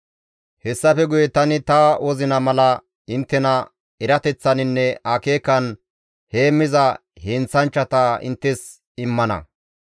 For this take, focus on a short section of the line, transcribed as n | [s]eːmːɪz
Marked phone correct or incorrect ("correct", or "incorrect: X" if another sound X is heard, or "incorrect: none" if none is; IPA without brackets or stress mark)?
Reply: incorrect: h